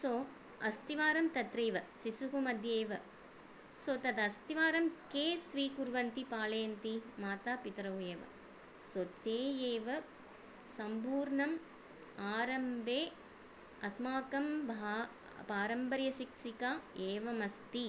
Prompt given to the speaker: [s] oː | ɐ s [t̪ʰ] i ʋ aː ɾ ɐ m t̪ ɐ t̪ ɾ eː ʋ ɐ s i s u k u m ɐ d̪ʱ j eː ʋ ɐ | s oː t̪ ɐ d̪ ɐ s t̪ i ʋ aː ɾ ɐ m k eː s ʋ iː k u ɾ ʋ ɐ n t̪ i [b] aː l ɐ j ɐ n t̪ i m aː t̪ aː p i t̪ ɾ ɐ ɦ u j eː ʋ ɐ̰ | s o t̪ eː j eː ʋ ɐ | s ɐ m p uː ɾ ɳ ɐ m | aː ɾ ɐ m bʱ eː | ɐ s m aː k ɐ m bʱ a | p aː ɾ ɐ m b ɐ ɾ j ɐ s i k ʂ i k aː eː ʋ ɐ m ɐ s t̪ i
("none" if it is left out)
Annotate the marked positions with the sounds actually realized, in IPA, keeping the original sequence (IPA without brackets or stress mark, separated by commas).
s, t̪, p